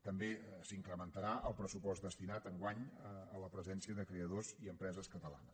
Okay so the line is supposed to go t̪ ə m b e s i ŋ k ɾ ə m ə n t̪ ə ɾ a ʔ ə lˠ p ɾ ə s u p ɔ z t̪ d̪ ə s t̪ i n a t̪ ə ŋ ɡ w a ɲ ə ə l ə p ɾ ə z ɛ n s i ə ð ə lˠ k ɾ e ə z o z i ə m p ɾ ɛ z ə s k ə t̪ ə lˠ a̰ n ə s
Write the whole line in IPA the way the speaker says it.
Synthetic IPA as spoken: t̪ ə m b e s i ŋ k ɾ ə m ə n t̪ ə ɾ a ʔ ə lˠ p ɾ ə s u p ɔ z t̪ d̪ ə s t̪ i n a t̪ ə ŋ ɡ w a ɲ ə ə l ə p ɾ ə z ɛ n s i ə ð ə k ɾ e ə ð o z i ə m p ɾ ɛ z ə s k ə t̪ ə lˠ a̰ n ə s